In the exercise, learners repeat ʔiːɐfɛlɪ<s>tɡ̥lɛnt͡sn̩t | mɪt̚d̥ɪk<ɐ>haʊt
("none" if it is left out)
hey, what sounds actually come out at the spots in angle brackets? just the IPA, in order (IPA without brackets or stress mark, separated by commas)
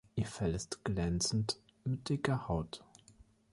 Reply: s, ɐ